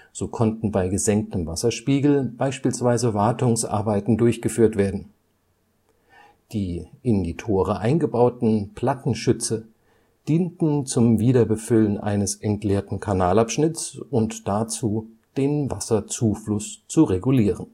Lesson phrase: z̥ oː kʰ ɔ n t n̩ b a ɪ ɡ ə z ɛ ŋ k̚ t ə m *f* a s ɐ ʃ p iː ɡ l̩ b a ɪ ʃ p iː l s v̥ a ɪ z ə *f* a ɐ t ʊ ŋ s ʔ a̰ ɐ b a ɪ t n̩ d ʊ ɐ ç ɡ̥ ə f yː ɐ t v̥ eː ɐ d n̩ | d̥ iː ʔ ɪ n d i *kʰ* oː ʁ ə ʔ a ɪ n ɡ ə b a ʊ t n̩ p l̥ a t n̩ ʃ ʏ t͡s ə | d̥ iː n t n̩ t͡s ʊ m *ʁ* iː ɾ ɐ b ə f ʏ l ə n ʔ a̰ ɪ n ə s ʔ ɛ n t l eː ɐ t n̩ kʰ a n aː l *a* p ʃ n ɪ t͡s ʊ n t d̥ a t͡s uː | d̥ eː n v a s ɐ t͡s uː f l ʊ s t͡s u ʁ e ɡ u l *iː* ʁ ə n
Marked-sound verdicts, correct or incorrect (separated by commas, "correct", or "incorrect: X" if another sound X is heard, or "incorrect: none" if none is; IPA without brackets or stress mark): incorrect: v, incorrect: v, incorrect: tʰ, incorrect: v, correct, correct